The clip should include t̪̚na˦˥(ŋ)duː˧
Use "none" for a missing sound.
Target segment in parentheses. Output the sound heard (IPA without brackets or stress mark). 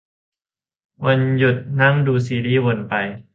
ŋ